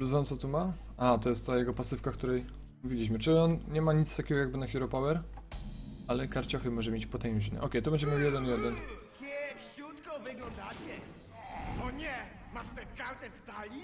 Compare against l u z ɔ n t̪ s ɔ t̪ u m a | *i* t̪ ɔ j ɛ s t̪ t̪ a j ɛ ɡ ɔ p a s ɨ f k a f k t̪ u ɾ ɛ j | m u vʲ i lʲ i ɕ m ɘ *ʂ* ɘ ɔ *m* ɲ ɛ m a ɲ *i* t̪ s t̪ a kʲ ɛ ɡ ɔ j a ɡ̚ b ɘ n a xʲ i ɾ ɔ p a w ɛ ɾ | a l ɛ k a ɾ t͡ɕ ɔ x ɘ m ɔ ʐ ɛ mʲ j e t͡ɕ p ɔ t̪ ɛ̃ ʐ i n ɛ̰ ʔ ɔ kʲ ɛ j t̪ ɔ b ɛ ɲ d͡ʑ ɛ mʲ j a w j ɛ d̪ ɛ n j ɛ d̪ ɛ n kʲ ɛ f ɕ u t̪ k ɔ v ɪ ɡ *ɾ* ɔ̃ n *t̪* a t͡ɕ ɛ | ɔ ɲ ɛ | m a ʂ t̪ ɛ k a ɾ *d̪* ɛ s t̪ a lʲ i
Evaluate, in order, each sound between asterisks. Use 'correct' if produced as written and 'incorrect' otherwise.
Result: incorrect, incorrect, incorrect, correct, incorrect, incorrect, incorrect

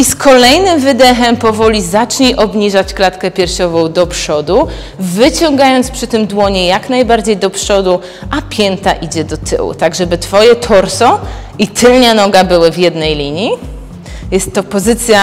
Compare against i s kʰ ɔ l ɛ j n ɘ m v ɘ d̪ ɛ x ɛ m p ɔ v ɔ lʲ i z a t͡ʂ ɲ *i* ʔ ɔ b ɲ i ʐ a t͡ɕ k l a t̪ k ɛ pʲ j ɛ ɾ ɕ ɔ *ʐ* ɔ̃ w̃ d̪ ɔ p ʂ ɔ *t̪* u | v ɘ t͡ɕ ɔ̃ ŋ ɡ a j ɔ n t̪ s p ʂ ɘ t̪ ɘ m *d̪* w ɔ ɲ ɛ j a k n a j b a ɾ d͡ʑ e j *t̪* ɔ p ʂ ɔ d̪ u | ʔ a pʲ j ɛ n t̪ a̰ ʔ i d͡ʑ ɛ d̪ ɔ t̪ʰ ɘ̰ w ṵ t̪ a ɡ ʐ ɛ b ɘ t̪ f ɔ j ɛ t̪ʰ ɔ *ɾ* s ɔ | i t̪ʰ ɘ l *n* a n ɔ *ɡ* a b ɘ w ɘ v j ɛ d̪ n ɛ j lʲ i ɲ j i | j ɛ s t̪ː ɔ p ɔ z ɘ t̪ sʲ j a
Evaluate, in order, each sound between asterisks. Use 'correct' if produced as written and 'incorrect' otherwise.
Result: correct, incorrect, incorrect, correct, incorrect, correct, incorrect, correct

